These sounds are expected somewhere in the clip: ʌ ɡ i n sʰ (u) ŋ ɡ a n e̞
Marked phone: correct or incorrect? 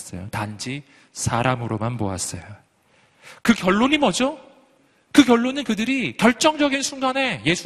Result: correct